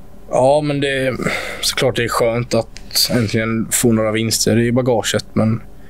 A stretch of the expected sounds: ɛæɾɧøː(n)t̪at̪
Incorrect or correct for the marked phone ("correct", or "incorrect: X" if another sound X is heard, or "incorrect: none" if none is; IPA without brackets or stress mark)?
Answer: correct